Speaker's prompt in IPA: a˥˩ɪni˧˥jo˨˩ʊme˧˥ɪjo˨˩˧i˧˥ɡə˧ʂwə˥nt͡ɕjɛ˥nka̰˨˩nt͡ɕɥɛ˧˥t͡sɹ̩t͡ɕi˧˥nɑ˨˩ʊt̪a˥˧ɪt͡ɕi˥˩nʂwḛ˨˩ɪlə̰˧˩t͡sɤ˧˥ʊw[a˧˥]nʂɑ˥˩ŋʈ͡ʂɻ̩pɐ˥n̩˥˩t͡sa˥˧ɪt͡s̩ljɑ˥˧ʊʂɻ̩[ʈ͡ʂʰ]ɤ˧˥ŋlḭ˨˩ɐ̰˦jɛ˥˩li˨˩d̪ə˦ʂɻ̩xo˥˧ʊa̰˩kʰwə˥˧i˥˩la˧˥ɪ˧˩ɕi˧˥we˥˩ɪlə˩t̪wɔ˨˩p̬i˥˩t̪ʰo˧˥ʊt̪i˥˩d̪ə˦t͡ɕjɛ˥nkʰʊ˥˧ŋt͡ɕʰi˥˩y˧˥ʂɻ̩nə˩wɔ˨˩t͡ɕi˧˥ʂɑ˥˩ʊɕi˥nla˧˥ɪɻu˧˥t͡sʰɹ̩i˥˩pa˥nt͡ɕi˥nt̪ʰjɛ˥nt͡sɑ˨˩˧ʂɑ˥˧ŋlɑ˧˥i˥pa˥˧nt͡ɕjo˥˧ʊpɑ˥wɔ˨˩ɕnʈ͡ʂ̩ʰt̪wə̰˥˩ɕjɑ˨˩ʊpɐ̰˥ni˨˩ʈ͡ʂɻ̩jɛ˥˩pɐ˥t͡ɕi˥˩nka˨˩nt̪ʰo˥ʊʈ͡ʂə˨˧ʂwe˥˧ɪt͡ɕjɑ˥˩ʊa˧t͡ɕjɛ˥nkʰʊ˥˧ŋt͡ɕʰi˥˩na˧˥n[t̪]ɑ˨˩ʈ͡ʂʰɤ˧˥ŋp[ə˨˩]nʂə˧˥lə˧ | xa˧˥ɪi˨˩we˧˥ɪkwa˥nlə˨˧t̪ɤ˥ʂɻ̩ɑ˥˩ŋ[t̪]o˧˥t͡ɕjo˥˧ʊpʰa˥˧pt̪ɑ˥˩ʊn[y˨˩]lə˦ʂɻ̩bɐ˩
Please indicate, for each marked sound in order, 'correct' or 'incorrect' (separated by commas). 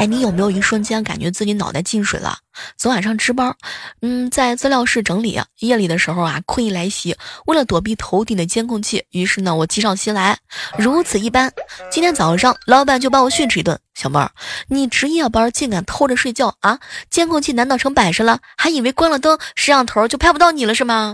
incorrect, incorrect, correct, incorrect, incorrect, incorrect